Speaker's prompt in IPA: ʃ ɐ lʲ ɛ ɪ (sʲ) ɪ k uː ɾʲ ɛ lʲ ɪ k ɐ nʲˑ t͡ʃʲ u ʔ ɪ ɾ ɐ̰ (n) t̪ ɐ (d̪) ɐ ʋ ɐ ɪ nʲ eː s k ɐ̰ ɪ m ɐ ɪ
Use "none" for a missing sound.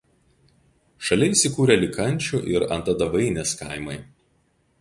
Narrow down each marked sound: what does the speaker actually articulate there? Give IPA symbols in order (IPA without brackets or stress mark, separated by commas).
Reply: sʲ, n, d̪